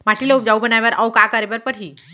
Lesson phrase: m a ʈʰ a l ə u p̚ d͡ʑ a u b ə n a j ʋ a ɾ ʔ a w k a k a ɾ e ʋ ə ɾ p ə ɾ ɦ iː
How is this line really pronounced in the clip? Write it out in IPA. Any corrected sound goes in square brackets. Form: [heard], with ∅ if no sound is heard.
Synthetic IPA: m a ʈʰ [i] l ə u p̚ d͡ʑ a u b ə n a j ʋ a ɾ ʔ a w k a k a ɾ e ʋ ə ɾ p ə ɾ ɦ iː